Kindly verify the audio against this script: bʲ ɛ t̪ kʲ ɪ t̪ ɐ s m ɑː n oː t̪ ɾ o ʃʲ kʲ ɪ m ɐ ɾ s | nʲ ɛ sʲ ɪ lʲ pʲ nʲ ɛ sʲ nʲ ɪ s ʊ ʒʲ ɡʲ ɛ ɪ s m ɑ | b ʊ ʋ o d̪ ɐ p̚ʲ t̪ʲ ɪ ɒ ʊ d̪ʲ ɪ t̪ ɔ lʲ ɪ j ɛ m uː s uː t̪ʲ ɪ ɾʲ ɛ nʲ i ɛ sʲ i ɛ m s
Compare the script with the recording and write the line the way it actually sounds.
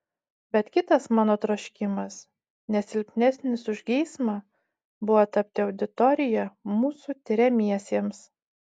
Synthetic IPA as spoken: bʲ ɛ t̪ kʲ ɪ t̪ ɐ s m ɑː n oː t̪ ɾ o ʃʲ kʲ ɪ m ɐ s | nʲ ɛ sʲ ɪ lʲ pʲ nʲ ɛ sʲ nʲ ɪ s ʊ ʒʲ ɡʲ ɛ ɪ s m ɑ | b ʊ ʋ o t̪ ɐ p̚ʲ t̪ʲ ɪ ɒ ʊ d̪ʲ ɪ t̪ ɔ ɾʲ ɪ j ɛ m uː s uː t̪ʲ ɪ ɾʲ ɛ mʲ i ɛ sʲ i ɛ m s